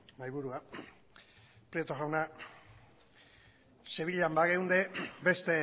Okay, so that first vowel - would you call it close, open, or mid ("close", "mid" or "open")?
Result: open